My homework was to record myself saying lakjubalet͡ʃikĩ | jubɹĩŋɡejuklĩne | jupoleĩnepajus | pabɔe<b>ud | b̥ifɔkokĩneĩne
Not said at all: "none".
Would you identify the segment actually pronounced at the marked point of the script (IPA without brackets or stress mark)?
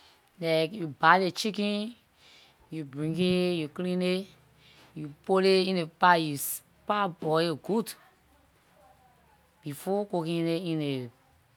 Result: ɡ